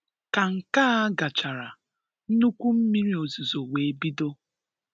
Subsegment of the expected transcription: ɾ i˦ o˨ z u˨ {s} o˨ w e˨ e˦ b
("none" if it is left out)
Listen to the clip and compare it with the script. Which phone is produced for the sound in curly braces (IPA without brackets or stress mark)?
z